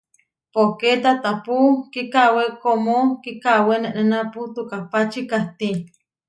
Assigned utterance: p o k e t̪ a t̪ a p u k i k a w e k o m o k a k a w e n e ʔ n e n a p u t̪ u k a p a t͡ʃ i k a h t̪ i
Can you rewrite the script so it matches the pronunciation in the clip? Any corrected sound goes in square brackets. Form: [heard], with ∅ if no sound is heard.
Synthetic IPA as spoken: p o k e t̪ a t̪ a p u k i k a w e k o m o k [i] k a w e n e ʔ n e n a p u t̪ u k a p a t͡ʃ i k a h t̪ i